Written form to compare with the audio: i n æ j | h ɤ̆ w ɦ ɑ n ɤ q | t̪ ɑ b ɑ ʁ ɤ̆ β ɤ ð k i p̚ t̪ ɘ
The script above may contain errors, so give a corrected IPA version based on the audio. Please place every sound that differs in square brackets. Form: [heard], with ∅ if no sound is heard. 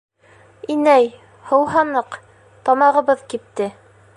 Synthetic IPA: i n æ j | h ɤ̆ w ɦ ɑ n ɤ q | t̪ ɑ [m] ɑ ʁ ɤ̆ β ɤ ð k i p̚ t̪ ɘ